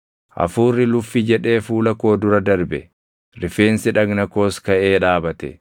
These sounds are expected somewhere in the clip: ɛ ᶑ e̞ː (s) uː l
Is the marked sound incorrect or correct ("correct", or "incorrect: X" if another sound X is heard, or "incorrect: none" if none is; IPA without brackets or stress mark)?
incorrect: f